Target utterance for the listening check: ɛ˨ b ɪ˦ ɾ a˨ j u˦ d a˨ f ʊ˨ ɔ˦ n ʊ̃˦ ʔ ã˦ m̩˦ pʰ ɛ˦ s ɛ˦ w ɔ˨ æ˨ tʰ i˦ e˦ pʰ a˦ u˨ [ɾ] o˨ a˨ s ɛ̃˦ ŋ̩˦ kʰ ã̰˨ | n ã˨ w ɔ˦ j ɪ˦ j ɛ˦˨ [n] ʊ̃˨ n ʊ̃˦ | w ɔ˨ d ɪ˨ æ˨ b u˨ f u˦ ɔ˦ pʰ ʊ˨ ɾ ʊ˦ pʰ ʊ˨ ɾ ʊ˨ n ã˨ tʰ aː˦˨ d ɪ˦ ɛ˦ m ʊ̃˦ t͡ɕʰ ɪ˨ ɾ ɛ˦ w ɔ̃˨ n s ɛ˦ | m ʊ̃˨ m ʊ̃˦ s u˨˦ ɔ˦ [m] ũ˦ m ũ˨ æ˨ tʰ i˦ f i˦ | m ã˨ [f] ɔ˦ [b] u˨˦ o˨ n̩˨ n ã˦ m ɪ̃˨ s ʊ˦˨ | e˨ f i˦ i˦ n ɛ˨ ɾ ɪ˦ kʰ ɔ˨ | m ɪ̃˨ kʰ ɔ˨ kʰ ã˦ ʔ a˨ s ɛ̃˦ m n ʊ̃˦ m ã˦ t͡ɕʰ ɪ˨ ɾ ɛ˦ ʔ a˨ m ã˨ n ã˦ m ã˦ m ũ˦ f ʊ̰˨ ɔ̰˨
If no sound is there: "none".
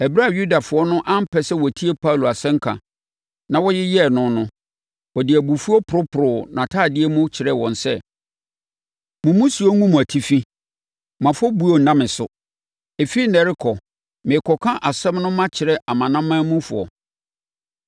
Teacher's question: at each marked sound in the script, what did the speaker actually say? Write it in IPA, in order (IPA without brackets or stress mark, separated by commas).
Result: l, n, ŋ, f, b